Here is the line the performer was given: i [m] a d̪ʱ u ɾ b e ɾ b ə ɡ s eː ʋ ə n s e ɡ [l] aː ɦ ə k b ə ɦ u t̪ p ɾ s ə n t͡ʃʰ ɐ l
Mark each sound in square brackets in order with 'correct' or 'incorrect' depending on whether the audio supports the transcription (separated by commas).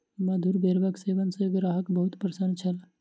correct, incorrect